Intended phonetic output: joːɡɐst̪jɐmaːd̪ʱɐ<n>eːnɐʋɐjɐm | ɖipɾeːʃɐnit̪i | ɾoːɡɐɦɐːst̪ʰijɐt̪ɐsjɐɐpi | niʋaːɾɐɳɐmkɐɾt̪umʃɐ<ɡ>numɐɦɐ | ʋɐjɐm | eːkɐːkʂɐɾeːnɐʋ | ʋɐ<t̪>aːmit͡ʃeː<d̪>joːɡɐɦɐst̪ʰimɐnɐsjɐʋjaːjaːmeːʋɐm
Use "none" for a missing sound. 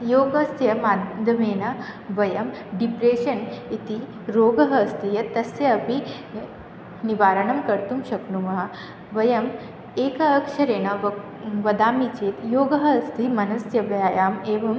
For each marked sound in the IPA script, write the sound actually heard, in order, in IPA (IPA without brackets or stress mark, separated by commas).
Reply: m, k, d̪, t̪